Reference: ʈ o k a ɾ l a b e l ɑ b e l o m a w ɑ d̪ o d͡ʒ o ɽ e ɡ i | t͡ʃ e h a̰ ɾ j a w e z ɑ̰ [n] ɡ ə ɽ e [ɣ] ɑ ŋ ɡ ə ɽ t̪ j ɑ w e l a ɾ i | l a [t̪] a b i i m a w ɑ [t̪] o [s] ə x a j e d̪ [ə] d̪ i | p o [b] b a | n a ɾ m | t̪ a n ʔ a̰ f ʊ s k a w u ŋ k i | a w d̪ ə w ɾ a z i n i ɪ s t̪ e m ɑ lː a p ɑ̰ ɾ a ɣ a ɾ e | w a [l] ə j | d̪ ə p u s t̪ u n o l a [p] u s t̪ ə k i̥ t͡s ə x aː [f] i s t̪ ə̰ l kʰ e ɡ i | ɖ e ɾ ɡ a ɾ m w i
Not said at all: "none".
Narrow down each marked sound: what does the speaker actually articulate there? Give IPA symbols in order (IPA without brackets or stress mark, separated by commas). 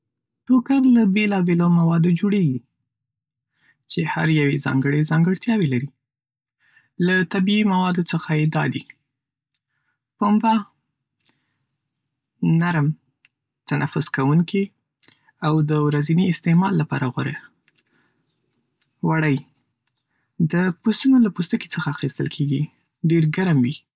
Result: ŋ, z, t̪, d̪, t͡s, ɑ, m, ɽ, p, x